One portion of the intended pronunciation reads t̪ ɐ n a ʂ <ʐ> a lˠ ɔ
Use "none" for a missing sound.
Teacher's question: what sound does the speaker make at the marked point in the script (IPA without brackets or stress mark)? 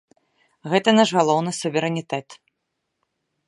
ɣ